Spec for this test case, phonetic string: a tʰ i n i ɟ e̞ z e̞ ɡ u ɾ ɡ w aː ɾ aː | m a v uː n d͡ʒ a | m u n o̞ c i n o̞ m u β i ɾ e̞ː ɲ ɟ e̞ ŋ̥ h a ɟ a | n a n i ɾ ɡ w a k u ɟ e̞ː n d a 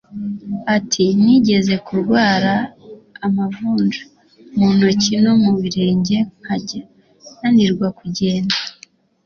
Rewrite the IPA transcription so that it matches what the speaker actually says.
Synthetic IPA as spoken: a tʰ i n i ɟ e̞ z e̞ k u ɾ ɡ w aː ɾ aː | m a v uː n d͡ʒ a | m u n o̞ c i n o̞ m u β i ɾ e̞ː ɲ ɟ e̞ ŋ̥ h a ɟ a | n a n i ɾ ɡ w a k u ɟ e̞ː n d a